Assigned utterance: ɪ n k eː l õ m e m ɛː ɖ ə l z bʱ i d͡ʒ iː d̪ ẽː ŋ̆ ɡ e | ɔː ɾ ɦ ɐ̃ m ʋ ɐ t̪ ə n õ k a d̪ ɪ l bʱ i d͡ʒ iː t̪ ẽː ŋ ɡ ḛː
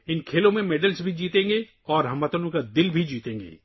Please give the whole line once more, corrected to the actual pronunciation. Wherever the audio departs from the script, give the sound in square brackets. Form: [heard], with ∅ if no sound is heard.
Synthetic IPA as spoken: ɪ n [kʰ] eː l õ m [ẽ] m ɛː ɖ ə l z bʱ i d͡ʒ iː [t̪] ẽː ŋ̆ ɡ e | ɔː ɾ ɦ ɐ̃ m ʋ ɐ t̪ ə n õ k a d̪ ɪ l bʱ i d͡ʒ iː t̪ ẽː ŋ ɡ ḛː